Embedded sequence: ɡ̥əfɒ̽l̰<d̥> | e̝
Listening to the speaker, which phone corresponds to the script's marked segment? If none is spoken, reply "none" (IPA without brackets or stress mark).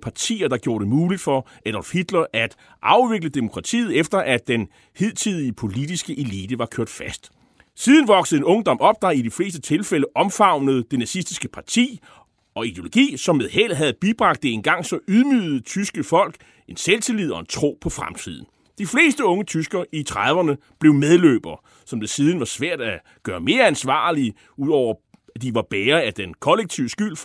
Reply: ɡ̥